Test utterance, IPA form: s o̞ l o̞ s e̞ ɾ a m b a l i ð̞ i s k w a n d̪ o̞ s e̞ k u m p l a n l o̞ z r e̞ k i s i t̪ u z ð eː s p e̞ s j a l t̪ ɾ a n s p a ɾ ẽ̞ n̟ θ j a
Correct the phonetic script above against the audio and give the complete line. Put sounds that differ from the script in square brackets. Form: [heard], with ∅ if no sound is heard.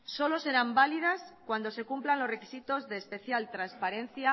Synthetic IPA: s o̞ l o̞ s e̞ ɾ a m b a l i ð̞ [a] s k w a n d̪ o̞ s e̞ k u m p l a n l o̞ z r e̞ k i s i t̪ [o] z ð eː s p e̞ [θ] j a l t̪ ɾ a n s p a ɾ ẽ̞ n̟ θ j a